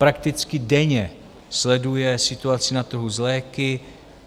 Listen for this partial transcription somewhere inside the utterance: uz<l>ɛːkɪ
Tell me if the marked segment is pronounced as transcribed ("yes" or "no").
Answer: yes